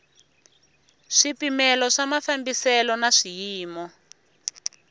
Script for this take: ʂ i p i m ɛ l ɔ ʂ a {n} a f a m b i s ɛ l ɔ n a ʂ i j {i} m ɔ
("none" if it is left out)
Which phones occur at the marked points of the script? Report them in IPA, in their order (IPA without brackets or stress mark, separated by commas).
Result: m, iː